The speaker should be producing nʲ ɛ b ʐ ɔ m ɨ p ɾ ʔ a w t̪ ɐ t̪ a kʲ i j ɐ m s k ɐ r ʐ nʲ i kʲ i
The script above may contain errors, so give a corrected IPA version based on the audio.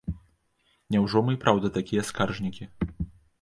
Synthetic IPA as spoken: nʲ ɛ w ʐ ɔ m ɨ p ɾ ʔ a w d̪ ɐ t̪ a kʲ i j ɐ s k a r ʐ nʲ i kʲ i